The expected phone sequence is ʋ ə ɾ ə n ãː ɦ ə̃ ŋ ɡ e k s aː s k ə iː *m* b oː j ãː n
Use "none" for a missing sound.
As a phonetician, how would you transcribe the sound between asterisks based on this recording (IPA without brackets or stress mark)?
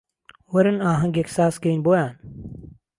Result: n